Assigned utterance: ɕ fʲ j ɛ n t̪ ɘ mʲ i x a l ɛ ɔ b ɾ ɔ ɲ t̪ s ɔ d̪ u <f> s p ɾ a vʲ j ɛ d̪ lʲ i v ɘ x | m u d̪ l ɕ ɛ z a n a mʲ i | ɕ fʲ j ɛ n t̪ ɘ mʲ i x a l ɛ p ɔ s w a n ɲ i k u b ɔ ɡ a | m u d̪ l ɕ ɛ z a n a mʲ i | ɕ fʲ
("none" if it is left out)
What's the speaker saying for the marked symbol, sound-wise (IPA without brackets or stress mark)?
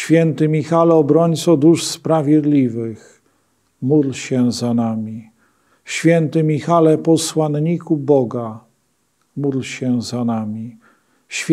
ʂ